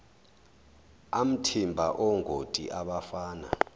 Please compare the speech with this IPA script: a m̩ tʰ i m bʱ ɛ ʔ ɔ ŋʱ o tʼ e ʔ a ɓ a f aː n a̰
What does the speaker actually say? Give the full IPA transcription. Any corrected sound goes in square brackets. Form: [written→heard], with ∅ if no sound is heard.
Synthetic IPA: a m̩ tʰ i m bʱ [ɛ→a] ʔ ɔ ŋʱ o tʼ [e→i] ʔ a ɓ a f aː n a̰